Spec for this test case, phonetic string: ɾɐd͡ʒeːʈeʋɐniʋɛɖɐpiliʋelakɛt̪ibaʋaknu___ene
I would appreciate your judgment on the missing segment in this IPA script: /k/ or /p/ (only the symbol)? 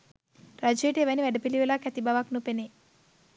p